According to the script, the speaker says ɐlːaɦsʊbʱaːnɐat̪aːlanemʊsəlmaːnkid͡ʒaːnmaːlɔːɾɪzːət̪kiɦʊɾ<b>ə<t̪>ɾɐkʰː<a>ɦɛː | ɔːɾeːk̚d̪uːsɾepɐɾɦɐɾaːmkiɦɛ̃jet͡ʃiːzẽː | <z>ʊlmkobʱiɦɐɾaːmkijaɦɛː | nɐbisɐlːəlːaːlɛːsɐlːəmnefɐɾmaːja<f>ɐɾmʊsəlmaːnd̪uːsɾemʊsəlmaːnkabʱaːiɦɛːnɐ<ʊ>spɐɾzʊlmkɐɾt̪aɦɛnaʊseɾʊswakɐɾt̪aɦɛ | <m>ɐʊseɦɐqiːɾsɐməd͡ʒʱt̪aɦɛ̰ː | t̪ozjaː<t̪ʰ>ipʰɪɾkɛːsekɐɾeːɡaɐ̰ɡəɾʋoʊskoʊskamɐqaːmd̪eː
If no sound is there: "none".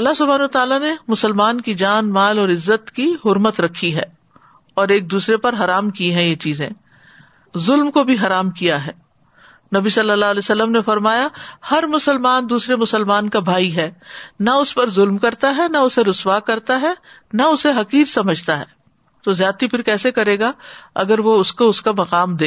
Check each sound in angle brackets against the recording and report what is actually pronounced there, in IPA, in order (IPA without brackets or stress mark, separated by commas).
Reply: m, t̪, i, z, h, ʊ, n, t̪